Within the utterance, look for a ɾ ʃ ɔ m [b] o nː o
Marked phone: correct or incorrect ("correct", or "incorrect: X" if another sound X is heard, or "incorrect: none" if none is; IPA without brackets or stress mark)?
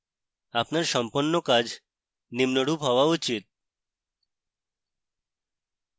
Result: incorrect: p